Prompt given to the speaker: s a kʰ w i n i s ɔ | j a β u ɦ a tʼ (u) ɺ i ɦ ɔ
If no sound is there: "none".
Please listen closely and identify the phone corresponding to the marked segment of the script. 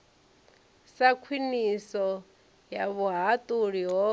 u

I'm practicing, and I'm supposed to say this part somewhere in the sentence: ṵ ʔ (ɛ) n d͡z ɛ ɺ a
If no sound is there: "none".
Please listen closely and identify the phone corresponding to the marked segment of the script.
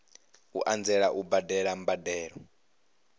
a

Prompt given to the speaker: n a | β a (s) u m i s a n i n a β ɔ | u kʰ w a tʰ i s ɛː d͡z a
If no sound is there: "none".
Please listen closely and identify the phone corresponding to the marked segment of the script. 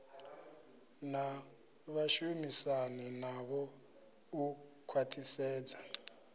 ʃ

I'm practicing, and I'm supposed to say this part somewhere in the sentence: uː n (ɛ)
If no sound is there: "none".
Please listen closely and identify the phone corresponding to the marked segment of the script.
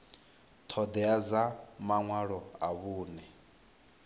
ɛ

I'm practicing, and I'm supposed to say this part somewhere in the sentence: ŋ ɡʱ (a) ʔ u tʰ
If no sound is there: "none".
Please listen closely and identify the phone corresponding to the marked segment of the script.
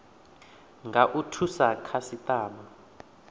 a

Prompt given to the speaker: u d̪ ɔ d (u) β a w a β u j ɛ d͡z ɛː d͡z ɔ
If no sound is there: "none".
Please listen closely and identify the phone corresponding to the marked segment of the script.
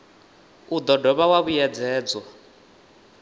ɔ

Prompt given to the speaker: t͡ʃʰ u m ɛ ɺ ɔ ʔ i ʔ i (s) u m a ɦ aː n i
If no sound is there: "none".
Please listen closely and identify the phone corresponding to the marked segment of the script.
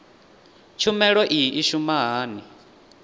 ʃ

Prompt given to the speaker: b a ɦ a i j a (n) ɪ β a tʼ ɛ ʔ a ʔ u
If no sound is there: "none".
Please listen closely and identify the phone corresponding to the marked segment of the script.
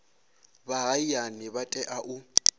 n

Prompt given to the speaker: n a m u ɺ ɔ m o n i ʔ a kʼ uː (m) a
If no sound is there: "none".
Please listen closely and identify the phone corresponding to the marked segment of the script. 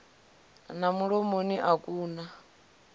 n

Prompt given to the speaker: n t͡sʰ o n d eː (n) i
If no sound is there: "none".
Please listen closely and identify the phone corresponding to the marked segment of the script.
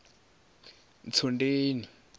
n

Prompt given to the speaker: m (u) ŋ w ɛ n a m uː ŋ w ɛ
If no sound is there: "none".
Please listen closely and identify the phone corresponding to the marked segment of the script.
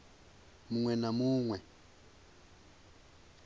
u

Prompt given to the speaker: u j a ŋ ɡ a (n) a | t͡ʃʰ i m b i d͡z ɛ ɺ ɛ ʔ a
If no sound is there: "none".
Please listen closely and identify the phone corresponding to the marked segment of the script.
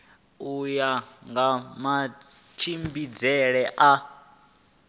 m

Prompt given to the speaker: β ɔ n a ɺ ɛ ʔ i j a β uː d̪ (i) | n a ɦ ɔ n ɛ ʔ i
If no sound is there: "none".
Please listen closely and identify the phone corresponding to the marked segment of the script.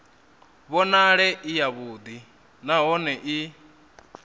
i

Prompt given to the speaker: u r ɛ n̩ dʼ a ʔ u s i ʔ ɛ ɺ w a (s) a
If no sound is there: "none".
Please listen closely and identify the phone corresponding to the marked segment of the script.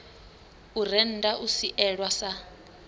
s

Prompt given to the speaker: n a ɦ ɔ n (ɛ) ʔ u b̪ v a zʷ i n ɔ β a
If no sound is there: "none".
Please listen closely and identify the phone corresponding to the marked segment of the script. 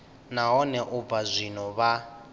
ɛ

